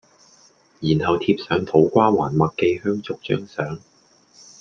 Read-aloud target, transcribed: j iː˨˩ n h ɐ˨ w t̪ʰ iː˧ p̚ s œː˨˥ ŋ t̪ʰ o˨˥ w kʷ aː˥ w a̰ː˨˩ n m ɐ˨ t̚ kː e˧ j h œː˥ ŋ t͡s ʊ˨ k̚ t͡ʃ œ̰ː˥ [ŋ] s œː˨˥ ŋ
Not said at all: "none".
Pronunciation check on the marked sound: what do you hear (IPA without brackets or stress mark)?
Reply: ŋ